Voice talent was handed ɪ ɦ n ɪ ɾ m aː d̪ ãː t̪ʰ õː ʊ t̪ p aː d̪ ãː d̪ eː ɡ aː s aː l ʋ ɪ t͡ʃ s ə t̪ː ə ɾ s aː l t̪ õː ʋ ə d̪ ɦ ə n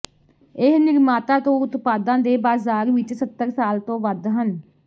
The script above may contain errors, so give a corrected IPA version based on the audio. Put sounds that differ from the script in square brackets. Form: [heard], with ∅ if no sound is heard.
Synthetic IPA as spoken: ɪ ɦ n ɪ ɾ m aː [t̪] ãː [t̪] õː ʊ t̪ p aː d̪ ãː d̪ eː [b] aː [z] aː [ɾ] ʋ ɪ t͡ʃ s ə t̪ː ə ɾ s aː l t̪ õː ʋ ə d̪ ɦ ə n